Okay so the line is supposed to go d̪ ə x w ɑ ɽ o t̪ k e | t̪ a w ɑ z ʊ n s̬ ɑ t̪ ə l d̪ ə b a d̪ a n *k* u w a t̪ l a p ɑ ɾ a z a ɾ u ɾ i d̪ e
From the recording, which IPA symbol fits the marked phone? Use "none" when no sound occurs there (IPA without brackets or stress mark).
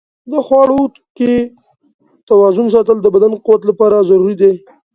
q